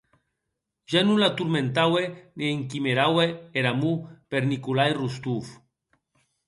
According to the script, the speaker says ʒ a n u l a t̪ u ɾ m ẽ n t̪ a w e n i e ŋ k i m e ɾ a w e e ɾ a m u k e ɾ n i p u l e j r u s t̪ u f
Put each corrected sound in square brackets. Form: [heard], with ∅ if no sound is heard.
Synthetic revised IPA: ʒ a n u l a t̪ u ɾ m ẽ n t̪ a w e n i e ŋ k i m e ɾ a w e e ɾ a m u [p] e ɾ n i [k] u l [a] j r u s t̪ u f